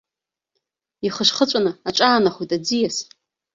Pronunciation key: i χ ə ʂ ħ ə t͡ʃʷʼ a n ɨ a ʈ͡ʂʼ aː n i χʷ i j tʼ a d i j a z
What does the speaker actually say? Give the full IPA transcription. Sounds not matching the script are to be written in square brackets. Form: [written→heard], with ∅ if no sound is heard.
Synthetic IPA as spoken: i χ ə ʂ [ħ→χ] ə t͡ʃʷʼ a n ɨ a ʈ͡ʂʼ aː n [i→a] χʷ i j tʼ a [d→d͡z] i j a [z→s]